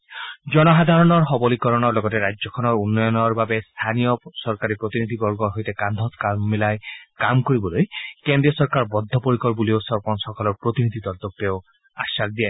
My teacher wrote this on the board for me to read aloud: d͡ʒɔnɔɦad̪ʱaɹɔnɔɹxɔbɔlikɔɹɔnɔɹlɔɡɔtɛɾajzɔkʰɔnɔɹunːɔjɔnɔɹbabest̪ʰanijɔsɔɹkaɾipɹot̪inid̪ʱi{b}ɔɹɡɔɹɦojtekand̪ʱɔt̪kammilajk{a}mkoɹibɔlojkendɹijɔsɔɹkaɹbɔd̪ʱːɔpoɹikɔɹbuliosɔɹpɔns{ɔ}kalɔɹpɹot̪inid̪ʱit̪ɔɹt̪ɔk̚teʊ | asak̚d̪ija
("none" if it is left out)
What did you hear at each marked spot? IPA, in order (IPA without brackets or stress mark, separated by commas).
b, a, ɔ